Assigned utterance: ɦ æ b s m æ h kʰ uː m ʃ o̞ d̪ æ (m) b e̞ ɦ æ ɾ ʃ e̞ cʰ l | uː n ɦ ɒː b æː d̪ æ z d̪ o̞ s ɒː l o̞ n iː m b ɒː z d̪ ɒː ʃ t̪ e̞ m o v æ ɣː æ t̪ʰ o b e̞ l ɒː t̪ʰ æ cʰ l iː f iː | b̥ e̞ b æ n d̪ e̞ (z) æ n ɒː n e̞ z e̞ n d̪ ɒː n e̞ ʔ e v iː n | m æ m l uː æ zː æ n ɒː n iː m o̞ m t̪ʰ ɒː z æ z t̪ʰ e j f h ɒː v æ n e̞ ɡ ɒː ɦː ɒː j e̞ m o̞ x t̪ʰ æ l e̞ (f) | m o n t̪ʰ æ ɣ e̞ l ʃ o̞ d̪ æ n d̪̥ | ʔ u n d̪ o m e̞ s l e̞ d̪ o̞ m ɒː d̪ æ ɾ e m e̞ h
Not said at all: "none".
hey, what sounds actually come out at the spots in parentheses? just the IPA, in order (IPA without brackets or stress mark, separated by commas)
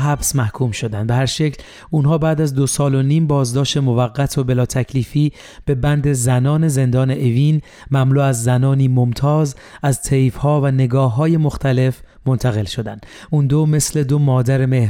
n, z, f